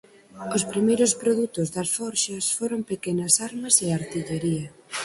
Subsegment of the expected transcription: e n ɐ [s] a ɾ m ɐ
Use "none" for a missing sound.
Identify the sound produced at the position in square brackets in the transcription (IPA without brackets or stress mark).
s